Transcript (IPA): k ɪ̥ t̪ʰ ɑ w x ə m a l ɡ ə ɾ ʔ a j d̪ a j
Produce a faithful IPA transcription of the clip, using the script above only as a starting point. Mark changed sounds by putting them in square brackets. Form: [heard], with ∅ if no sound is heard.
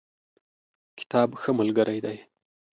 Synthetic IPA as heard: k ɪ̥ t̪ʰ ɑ [b] x ə m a l ɡ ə ɾ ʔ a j d̪ a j